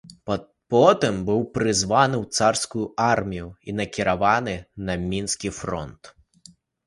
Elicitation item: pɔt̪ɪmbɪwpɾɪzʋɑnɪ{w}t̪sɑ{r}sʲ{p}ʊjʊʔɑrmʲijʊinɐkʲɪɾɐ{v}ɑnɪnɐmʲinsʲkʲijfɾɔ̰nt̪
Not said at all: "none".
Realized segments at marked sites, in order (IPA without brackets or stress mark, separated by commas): w, r, k, ʋ